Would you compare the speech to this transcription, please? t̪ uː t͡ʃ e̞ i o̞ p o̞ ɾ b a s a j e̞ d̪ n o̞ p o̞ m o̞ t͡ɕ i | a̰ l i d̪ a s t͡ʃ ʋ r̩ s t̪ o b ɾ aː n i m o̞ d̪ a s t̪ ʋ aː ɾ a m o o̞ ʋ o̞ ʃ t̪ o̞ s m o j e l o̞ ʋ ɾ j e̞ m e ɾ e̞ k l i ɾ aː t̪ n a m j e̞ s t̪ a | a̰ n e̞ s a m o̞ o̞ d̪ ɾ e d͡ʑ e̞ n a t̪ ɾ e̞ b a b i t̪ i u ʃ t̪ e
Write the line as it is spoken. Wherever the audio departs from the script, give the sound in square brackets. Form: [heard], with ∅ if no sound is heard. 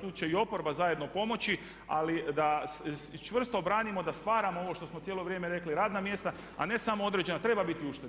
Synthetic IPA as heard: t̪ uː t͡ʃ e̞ i o̞ p o̞ ɾ b a [z] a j e̞ d̪ n o̞ p o̞ m o̞ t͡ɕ i | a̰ l i d̪ a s t͡ʃ ʋ r̩ s t̪ o b ɾ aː n i m o̞ d̪ a s t̪ ʋ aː ɾ a m o o̞ ʋ o̞ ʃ t̪ o̞ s m o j e l o̞ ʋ ɾ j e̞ m e ɾ e̞ k l i ɾ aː [d̪] n a m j e̞ s t̪ a | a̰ n e̞ s a m o̞ o̞ d̪ ɾ e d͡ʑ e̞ n a t̪ ɾ e̞ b a b i t̪ i u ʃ t̪ e